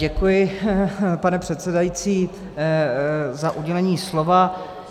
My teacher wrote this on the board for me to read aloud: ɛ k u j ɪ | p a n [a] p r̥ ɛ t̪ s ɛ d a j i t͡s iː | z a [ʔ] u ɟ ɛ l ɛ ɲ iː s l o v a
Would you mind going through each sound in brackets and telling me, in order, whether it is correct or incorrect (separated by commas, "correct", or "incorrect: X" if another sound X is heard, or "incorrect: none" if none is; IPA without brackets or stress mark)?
incorrect: ɛ, correct